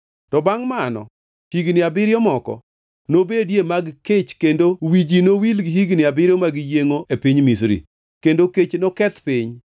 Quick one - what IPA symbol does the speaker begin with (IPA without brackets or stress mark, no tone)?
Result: t